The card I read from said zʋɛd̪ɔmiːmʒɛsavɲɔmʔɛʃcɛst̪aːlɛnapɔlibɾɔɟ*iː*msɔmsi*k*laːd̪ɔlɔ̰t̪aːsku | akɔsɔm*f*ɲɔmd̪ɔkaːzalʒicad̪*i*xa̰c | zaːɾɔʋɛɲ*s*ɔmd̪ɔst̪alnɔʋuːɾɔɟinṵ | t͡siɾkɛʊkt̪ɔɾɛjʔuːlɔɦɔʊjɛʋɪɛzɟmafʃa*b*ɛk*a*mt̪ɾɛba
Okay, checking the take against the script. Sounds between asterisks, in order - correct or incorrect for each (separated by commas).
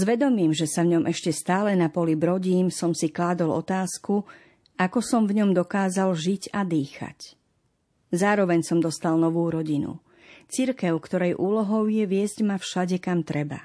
correct, correct, incorrect, incorrect, correct, incorrect, correct